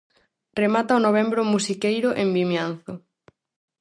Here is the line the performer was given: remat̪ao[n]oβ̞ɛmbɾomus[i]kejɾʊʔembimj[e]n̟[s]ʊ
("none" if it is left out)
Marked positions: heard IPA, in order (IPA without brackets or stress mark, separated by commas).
n, i, a, θ